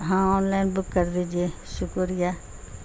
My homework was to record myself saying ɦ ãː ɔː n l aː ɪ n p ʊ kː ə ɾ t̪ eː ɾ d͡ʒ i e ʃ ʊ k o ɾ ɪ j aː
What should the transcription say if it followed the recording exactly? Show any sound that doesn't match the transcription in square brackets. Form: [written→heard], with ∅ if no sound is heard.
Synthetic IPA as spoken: ɦ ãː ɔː n l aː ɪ n [p→b] ʊ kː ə ɾ [t̪→d̪] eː [ɾ→∅] d͡ʒ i e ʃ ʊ k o ɾ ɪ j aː